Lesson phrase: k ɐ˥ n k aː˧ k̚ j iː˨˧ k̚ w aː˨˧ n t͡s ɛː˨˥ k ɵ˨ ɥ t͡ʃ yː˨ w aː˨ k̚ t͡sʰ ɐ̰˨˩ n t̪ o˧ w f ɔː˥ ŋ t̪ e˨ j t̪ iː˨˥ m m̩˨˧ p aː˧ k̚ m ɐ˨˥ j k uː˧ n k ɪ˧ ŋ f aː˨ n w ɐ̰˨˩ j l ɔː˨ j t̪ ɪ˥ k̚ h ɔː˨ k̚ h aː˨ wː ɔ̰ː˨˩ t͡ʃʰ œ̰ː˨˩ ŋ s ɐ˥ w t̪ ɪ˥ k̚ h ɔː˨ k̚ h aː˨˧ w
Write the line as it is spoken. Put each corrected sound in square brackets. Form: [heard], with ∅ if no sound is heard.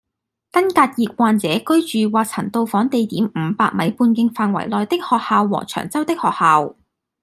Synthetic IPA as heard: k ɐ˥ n k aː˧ [t̚] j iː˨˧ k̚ w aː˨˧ n t͡s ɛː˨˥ k [ɵ˥] ɥ t͡ʃ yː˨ w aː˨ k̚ t͡sʰ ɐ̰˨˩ n t̪ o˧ w f [ɔː˨˥] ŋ t̪ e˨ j t̪ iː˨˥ m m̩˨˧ p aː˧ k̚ m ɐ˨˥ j [p] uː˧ n k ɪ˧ ŋ f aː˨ n w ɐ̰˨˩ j l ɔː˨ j t̪ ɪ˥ k̚ h ɔː˨ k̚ h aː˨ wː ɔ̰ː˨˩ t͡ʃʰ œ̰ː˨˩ ŋ [t͡s] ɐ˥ w t̪ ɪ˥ k̚ h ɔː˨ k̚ h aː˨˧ w